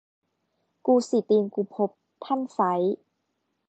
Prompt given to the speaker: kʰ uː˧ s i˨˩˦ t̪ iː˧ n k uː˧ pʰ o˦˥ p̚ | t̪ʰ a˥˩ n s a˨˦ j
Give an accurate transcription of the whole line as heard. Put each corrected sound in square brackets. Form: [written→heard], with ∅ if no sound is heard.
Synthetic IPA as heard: [kʰ→k] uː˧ s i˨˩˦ t̪ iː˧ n k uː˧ pʰ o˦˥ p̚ | t̪ʰ a˥˩ n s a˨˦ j